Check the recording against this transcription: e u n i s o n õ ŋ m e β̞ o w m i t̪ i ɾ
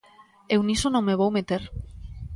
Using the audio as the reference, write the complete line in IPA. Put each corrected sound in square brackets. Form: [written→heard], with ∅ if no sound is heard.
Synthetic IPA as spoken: e [u→w] n i s o n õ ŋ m e β̞ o w m [i→e] t̪ [i→e] ɾ

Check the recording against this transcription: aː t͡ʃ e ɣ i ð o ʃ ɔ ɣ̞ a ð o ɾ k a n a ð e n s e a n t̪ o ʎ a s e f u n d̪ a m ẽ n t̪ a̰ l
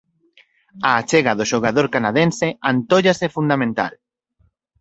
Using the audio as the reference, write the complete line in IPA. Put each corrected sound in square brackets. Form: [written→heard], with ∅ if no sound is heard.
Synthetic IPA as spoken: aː t͡ʃ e ɣ [i→a] ð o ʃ [ɔ→o] ɣ̞ a ð o ɾ k a n a ð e n s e a n t̪ o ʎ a s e f u n d̪ a m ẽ n t̪ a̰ l

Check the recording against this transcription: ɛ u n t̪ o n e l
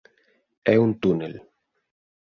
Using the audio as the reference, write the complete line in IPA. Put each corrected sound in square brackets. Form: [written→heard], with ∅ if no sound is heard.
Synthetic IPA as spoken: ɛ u n t̪ [o→u] n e l

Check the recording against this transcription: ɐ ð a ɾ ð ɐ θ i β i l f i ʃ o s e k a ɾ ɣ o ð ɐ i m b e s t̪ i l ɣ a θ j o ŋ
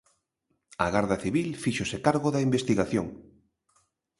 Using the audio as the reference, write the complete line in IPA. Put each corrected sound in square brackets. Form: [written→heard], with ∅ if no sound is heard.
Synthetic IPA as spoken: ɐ [ð→ɣ] a ɾ ð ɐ θ i β i l f i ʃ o s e k a ɾ ɣ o ð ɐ i m b e s t̪ i [l→∅] ɣ a θ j o ŋ

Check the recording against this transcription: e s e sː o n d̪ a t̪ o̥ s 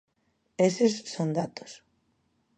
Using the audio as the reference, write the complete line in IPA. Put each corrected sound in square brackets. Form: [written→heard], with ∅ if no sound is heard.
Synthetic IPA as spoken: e s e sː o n d̪ a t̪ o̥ s

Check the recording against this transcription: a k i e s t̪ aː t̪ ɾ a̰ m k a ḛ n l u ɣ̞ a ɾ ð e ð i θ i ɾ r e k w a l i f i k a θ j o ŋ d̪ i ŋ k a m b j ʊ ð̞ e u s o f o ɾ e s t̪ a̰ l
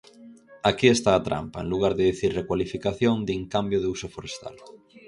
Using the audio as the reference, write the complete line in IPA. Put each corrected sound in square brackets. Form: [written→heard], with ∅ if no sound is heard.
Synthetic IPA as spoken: a k i e s t̪ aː t̪ ɾ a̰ m [k→p] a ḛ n l u ɣ̞ a ɾ ð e ð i θ i ɾ r e k w a l i f i k a θ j o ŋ d̪ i ŋ k a m b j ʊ ð̞ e u s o f o ɾ e s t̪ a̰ l

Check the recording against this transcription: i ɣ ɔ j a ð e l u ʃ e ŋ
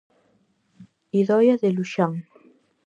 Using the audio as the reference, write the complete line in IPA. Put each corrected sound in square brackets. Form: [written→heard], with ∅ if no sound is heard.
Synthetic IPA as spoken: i [ɣ→ð] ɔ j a ð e l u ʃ [e→a] ŋ

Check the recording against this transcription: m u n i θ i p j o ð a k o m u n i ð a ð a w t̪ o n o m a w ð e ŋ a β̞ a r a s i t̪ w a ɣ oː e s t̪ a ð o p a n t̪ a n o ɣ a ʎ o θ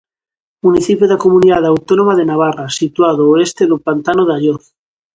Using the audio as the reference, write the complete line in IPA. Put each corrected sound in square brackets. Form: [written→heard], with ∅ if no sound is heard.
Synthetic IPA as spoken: m u n i θ i p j o ð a k o m u n i ð a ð a w t̪ o n o m a [w→∅] ð e [ŋ→n] a β̞ a r a s i t̪ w a [ɣ→ð] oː e s t̪ [a→e] ð o p a n t̪ a n o [ɣ→ð] a ʎ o θ

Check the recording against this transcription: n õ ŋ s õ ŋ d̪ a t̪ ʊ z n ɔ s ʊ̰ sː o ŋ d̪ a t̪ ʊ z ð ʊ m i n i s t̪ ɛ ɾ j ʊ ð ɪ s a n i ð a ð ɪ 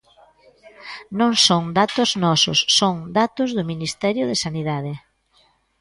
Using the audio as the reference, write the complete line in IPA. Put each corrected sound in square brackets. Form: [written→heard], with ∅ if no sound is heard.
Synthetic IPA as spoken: n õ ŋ s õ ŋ d̪ a t̪ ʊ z n ɔ s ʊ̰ sː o ŋ d̪ a t̪ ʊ z ð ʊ m i n i s t̪ ɛ ɾ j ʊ ð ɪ s a n i ð a ð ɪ

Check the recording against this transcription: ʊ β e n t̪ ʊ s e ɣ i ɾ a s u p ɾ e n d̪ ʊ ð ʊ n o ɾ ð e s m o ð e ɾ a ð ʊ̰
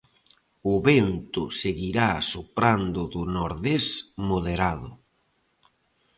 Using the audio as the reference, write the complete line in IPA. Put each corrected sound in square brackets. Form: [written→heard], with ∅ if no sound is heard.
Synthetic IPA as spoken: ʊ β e n t̪ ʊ s e ɣ i ɾ a s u p ɾ [e→a] n d̪ ʊ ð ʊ n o ɾ ð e s m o ð e ɾ a ð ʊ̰

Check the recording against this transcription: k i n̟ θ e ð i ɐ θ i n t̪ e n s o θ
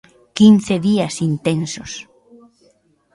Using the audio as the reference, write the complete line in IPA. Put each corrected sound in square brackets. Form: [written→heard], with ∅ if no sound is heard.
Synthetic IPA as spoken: k i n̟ θ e ð i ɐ [θ→s] i n t̪ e n s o [θ→s]

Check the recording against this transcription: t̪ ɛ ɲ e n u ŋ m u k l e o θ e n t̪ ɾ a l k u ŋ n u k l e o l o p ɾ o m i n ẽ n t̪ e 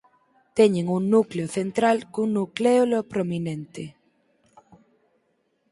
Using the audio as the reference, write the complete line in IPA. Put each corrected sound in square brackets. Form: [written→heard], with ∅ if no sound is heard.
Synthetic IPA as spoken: t̪ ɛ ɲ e [n→ŋ] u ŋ [m→n] u k l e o θ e n t̪ ɾ a l k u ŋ n u k l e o l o p ɾ o m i n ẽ n t̪ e

